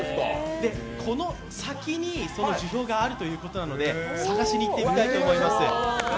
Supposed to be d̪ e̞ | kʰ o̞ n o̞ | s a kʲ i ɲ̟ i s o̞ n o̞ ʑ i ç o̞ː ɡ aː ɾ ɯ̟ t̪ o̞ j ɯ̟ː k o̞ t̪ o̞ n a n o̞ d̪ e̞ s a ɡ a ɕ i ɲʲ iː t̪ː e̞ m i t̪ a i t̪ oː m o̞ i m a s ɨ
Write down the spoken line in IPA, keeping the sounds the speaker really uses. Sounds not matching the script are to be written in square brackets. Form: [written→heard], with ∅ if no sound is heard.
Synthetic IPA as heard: d̪ e̞ | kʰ o̞ n o̞ | s a kʲ i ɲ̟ i s o̞ n o̞ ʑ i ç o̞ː ɡ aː ɾ ɯ̟ t̪ o̞ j ɯ̟ː k o̞ t̪ o̞ n a n o̞ d̪ e̞ s a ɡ a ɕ i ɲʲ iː t̪ː e̞ m i t̪ a i t̪ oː m o̞ i m a s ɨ